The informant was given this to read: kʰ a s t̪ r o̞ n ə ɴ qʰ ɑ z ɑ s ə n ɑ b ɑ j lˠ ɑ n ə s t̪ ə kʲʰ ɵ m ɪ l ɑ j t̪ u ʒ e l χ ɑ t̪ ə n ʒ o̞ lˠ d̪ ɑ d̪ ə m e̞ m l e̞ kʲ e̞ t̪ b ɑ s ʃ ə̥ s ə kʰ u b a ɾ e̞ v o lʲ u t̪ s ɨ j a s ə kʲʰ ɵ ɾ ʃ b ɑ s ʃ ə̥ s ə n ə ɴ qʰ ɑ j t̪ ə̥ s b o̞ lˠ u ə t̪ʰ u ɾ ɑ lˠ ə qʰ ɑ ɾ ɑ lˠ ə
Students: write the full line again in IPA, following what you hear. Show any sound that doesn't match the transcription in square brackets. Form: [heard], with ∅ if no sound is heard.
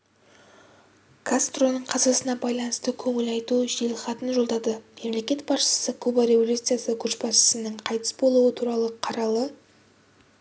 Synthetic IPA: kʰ a s t̪ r o̞ n ə ɴ qʰ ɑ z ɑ s ə n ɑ b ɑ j lˠ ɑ n ə s t̪ ə kʲʰ ɵ [ŋ] ɪ l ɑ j t̪ u ʒ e l χ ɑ t̪ ə n ʒ o̞ lˠ d̪ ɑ d̪ ə m e̞ m l e̞ kʲ e̞ t̪ b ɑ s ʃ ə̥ s ə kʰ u b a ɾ e̞ v o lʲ u t̪ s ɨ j a s ə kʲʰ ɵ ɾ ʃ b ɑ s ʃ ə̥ s ə n ə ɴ qʰ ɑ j t̪ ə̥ s b o̞ lˠ u ə t̪ʰ u ɾ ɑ lˠ ə qʰ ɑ ɾ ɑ lˠ ə